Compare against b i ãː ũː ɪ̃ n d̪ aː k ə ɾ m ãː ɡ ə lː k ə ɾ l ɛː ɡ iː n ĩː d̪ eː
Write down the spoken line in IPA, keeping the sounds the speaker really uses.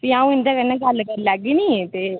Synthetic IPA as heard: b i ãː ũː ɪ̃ n d̪ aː k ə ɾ n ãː ɡ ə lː k ə ɾ l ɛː ɡ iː n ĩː t̪ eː

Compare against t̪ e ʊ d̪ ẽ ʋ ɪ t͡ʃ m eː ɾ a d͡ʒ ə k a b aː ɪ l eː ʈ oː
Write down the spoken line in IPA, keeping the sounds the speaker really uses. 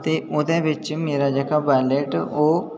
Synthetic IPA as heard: t̪ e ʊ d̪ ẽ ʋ ɪ t͡ʃ m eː ɾ a d͡ʒ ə k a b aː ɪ l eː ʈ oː

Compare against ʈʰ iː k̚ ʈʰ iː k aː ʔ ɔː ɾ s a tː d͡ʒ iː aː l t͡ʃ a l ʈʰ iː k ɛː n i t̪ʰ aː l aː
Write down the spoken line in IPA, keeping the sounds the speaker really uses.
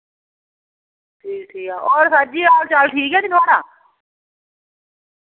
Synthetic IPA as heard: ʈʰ iː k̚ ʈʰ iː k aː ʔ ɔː ɾ s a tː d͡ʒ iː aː l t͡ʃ a l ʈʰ iː k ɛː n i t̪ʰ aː ɽ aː

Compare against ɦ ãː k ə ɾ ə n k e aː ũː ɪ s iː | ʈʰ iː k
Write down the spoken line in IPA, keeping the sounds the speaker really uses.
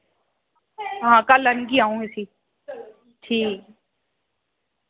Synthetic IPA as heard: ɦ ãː k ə l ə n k i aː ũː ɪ s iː | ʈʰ iː k

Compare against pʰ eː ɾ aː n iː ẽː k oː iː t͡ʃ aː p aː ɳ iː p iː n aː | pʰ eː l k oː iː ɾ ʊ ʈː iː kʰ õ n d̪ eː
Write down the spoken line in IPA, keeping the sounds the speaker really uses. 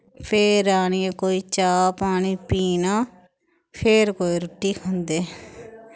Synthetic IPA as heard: pʰ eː ɾ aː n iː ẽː k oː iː t͡ʃ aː p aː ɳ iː p iː n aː | pʰ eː ɾ k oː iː ɾ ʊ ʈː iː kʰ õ n d̪ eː

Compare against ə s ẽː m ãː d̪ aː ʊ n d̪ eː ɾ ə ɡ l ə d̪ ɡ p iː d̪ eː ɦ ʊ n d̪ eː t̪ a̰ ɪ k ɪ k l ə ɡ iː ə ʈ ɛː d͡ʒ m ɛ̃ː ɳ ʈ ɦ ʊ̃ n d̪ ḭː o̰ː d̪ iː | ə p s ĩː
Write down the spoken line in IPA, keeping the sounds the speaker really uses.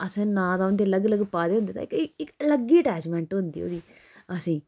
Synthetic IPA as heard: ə s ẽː n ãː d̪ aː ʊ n d̪ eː l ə ɡ l ə ɡ p aː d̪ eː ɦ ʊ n d̪ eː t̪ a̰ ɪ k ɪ k l ə ɡ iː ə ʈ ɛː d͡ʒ m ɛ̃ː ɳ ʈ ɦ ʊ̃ n d̪ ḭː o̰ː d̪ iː | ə s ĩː

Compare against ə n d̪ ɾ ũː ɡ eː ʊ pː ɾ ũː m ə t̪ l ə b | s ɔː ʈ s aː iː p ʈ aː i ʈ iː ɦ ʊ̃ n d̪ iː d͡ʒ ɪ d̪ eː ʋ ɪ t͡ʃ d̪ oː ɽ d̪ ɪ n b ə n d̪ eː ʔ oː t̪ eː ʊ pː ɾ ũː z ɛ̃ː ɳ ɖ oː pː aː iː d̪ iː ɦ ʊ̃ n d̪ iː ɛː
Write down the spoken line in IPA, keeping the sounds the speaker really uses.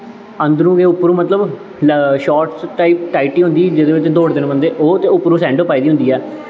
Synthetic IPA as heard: ə n d̪ ɾ ũː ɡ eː ʊ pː ɾ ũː m ə t̪ l ə b | ʃ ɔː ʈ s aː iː p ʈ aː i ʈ iː ɦ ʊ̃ n d̪ iː d͡ʒ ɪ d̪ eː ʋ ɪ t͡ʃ d̪ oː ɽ d̪ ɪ n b ə n d̪ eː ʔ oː t̪ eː ʊ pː ɾ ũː s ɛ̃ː ɳ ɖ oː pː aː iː d̪ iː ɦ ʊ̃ n d̪ iː ɛː

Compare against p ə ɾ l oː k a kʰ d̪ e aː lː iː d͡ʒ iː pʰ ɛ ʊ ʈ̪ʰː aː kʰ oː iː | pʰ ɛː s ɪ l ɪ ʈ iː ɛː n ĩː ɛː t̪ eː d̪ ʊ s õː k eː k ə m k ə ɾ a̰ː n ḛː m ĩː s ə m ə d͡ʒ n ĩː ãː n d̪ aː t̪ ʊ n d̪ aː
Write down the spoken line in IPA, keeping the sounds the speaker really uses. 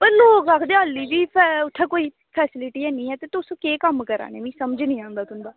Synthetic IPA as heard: p ə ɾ l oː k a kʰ d̪ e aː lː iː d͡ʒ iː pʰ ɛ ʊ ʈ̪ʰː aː k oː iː | pʰ ɛː s ɪ l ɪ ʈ iː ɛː n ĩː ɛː t̪ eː t̪ ʊ s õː k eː k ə m k ə ɾ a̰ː n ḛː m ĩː s ə m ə d͡ʒ n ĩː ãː n d̪ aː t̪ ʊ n d̪ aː

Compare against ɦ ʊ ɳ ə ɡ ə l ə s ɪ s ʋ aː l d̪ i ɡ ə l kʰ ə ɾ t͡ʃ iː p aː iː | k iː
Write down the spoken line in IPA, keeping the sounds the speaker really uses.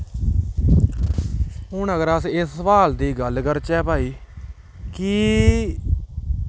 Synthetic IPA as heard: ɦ ʊ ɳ ə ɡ ə ɾ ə s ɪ s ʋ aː l d̪ iː ɡ ə l k ə ɾ t͡ʃ ɛː p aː iː | k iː

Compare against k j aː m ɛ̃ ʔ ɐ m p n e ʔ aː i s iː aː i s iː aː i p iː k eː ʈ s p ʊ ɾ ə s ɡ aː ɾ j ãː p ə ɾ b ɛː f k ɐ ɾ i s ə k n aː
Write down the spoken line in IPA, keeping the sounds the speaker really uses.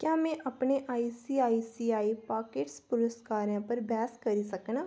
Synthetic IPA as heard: k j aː m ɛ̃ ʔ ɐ p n e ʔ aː i s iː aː i s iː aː i p aː k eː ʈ s p ʊ ɾ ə s k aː ɾ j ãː p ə ɾ b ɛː s k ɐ ɾ i s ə k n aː

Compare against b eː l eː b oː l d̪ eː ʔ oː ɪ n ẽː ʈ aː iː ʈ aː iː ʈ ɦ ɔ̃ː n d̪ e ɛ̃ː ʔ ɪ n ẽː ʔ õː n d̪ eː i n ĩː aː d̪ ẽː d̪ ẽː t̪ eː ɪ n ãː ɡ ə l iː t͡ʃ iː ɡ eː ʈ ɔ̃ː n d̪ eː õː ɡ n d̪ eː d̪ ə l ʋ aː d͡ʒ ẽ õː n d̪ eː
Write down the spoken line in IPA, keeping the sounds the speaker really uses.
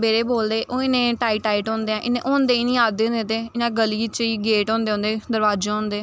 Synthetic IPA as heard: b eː ɾ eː b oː l d̪ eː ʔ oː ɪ n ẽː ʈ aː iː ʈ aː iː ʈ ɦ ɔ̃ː n d̪ e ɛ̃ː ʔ ɪ n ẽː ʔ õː n d̪ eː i n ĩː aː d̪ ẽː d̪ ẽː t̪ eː ɪ n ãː ɡ ə l iː t͡ʃ iː ɡ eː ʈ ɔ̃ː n d̪ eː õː n d̪ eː d̪ ə ɾ ʋ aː d͡ʒ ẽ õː n d̪ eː

